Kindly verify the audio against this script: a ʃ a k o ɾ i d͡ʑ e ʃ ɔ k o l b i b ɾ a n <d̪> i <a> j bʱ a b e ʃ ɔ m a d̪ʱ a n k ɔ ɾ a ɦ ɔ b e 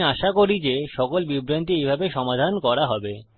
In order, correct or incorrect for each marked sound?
incorrect, incorrect

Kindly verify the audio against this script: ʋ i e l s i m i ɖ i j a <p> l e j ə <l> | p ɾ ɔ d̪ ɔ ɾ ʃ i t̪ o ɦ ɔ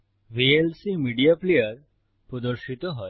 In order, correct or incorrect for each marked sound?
correct, incorrect

